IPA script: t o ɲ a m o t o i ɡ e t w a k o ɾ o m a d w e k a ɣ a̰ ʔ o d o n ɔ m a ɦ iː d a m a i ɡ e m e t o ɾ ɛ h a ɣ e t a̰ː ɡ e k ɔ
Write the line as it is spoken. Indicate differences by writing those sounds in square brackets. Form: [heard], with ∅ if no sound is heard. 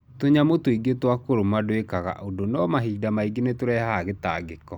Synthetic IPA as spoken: t o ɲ a m o t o i ɡ e t w a k o ɾ o m a d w e k a ɣ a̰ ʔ o d o n ɔ m a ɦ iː d a m a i ɡ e [n] e t o ɾ ɛ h a ɣ e t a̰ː ɡ e k ɔ